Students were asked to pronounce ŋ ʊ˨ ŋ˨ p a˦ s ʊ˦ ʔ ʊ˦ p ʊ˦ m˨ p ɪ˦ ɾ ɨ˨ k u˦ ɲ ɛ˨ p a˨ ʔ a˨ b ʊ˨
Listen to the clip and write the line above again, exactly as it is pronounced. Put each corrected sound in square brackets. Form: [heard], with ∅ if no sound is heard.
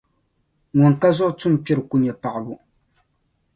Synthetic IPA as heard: ŋ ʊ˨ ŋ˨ [k] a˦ [z] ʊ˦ ʔ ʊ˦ [t] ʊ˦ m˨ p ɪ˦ ɾ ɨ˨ k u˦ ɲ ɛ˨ p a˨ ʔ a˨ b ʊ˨